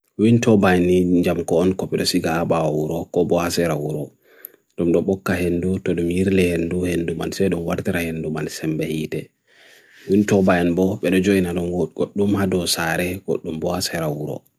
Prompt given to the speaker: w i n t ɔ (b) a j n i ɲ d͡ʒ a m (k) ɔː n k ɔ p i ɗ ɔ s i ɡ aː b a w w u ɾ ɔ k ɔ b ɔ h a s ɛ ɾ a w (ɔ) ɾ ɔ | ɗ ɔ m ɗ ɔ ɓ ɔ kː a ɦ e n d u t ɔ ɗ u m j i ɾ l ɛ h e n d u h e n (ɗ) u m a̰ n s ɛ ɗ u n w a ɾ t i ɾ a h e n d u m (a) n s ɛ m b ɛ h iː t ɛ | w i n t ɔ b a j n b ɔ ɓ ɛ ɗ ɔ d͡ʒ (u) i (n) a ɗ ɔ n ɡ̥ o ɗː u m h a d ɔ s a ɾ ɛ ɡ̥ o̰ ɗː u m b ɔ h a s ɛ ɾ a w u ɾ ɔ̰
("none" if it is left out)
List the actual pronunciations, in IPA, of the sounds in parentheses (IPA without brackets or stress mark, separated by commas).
b, k, u, d, a, o, n